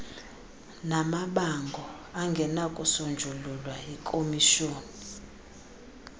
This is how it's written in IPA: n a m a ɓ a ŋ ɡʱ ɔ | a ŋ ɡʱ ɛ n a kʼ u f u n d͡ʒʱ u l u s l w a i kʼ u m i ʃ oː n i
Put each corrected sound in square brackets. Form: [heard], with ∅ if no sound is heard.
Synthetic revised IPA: n a m a ɓ a ŋ ɡʱ ɔ | a ŋ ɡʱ ɛ n a kʼ u [s] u n d͡ʒʱ u l u [∅] l w a i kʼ [o] m i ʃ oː n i